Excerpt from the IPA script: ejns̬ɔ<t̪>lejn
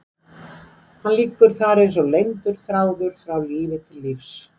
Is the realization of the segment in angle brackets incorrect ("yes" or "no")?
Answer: yes